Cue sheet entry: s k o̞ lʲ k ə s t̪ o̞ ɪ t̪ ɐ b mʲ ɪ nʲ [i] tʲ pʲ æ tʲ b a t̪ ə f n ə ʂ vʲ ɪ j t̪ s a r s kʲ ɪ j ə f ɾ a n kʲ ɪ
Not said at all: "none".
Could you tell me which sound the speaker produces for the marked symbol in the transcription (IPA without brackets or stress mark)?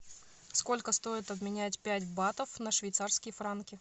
æ